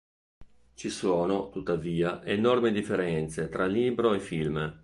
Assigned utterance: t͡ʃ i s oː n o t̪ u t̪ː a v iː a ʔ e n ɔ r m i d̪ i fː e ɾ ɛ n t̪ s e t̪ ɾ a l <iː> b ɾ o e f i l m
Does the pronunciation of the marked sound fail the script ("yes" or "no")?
no